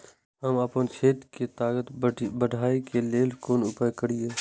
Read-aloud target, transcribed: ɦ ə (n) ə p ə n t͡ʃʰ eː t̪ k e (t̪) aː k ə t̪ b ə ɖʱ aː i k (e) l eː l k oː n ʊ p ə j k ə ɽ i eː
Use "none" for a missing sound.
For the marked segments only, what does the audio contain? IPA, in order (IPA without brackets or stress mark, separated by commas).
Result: m, t̪, e